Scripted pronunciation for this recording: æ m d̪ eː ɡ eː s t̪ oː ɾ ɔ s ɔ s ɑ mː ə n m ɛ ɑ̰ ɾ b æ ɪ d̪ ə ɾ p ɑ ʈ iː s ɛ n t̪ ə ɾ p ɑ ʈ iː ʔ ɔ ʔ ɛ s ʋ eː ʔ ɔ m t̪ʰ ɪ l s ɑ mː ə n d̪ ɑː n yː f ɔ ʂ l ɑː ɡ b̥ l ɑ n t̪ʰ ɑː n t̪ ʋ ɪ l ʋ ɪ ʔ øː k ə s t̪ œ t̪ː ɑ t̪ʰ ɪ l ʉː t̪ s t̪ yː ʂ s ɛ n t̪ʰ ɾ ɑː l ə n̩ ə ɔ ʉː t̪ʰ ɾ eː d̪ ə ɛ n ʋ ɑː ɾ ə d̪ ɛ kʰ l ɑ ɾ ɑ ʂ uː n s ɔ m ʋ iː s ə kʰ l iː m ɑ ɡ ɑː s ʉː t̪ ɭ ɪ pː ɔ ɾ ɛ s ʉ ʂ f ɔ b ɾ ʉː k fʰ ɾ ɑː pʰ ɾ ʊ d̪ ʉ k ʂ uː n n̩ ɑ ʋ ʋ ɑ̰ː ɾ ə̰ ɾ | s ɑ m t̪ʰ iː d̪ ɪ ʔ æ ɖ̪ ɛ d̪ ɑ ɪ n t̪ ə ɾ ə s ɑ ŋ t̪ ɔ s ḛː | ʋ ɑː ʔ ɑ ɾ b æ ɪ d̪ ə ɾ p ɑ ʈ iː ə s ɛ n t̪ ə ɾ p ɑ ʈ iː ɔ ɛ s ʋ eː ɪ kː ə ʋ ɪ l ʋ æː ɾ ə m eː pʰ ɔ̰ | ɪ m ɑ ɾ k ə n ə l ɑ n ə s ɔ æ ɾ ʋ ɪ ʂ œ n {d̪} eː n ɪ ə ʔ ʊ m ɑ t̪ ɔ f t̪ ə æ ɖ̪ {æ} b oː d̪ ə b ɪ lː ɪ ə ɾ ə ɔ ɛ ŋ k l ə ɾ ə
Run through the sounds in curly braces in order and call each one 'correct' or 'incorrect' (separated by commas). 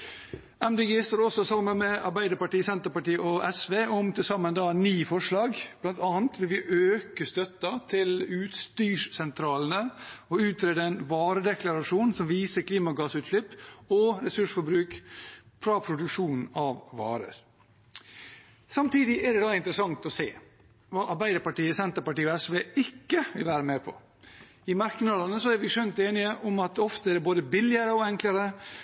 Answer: incorrect, incorrect